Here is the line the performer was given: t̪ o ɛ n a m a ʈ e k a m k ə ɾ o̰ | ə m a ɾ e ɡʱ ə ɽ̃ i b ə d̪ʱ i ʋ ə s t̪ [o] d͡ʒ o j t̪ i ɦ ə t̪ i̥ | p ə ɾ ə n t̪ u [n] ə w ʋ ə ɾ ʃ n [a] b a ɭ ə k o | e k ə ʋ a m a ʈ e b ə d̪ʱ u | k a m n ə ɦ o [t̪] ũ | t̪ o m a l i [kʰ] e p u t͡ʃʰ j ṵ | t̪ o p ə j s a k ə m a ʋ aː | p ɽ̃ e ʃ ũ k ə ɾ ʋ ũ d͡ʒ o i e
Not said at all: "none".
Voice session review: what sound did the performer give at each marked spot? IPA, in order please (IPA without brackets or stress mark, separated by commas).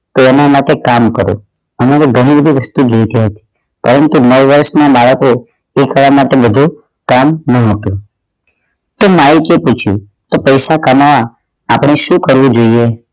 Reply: u, n, a, t̪, k